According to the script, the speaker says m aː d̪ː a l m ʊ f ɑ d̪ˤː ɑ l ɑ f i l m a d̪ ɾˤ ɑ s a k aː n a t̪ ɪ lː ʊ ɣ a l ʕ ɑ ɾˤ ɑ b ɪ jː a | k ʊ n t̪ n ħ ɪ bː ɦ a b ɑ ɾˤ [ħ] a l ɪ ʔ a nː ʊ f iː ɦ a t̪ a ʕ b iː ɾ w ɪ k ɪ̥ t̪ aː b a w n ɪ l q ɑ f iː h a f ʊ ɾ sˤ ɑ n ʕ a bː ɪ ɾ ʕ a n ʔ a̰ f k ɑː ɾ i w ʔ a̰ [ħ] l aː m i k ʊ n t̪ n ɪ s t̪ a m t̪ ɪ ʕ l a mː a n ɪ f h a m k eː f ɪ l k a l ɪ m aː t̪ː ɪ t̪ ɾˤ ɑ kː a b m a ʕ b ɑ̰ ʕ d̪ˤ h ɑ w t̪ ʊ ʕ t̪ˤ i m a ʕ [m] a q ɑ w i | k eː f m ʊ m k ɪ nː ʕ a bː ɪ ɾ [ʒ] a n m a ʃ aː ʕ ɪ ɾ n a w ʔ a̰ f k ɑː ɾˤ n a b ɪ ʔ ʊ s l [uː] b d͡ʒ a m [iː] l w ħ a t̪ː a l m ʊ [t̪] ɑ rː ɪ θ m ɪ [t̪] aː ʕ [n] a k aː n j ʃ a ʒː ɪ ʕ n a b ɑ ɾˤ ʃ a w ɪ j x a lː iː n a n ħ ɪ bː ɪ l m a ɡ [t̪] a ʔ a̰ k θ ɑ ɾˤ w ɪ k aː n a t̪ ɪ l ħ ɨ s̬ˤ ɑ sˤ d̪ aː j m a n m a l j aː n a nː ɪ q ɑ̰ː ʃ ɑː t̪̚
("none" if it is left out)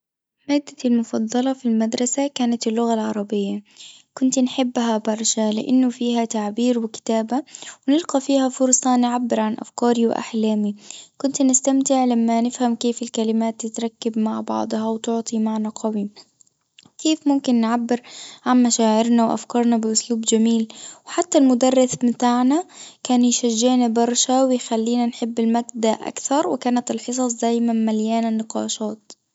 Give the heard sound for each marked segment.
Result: ʃ, ħ, n, ʕ, uː, iː, d̪, t̪, n, d̪

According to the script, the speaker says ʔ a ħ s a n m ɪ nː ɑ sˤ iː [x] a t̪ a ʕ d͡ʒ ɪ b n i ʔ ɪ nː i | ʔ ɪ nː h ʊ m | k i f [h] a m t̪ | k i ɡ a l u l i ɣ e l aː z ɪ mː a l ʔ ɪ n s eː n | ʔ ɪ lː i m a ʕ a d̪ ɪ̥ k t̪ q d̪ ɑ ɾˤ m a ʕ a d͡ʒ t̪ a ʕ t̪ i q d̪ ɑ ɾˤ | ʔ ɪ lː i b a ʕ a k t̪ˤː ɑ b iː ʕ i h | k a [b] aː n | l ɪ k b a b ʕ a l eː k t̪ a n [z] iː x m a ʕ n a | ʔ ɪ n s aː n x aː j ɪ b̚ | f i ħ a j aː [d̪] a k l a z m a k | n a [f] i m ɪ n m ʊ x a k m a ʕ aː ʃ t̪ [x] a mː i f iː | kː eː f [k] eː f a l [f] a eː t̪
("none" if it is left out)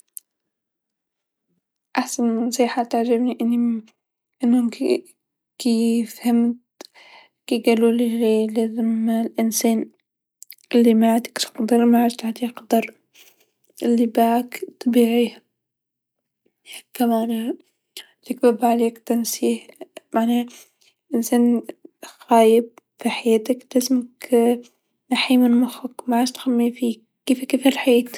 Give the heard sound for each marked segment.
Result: ħ, h, m, s, t̪, ħ, x, k, ħ

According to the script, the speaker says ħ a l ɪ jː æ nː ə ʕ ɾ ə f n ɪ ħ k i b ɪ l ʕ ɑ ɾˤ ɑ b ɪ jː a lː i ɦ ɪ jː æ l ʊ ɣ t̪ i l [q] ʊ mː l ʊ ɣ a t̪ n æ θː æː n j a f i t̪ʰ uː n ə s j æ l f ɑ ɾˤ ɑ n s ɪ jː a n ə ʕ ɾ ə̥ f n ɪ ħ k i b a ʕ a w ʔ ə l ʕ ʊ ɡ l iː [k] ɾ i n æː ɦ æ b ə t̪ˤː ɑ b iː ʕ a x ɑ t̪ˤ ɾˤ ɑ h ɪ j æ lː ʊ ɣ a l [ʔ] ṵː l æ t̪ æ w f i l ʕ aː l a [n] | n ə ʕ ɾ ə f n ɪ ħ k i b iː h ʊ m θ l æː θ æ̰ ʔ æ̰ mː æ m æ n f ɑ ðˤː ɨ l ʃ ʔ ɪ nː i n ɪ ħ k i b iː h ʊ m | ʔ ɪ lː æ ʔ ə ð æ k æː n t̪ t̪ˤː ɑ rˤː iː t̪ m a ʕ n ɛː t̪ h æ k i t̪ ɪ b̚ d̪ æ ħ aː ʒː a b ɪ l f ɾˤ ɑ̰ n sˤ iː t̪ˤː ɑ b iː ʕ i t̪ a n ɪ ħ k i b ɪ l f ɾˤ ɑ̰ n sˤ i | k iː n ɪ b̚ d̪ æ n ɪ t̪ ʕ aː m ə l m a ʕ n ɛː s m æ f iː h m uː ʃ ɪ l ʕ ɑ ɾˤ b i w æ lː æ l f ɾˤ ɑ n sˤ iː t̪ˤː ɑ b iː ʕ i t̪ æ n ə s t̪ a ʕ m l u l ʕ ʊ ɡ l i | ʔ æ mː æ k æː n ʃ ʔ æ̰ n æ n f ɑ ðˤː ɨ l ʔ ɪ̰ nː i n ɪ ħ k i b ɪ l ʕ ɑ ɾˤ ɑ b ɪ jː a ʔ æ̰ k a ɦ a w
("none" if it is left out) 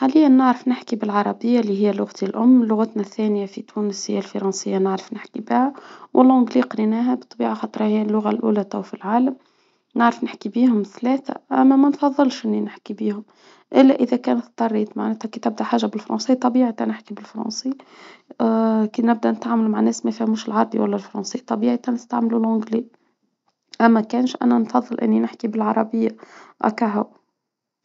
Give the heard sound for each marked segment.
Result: ʔ, q, ʔ, m

